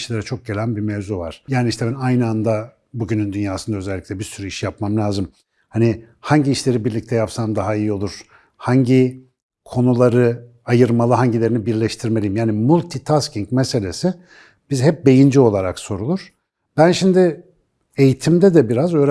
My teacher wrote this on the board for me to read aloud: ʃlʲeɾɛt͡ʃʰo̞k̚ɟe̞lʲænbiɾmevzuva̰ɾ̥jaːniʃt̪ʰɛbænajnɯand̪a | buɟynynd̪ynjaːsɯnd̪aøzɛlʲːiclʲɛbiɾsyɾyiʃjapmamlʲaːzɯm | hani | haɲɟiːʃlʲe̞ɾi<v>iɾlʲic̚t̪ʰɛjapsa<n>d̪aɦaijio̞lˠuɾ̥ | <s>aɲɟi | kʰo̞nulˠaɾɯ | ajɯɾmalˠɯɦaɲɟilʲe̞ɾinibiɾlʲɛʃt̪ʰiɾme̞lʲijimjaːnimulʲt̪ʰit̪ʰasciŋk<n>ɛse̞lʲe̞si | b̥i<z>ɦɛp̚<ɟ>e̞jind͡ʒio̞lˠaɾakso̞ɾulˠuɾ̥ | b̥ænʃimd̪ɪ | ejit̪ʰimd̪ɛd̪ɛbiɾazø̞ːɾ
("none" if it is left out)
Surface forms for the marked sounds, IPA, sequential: b, m, h, m, z, b

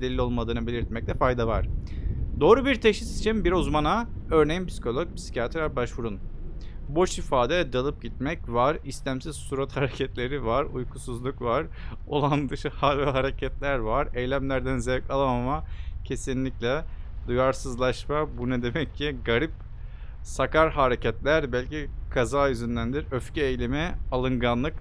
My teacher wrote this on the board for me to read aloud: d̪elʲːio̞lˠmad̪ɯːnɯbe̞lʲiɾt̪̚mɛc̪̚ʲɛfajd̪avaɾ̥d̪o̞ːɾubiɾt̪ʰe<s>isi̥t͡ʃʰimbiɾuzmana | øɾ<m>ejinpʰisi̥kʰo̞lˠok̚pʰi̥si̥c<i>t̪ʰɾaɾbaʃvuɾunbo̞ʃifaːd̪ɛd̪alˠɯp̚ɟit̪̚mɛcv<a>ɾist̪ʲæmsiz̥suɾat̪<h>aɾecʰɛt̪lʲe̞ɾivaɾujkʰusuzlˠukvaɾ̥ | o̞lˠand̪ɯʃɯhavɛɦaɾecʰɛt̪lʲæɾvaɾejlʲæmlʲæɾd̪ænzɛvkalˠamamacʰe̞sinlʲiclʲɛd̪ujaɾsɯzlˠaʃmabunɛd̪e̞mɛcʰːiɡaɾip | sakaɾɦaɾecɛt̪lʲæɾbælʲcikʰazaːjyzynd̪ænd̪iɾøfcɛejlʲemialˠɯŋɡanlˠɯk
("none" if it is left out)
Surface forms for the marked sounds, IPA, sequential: ʃ, n, a, a, h

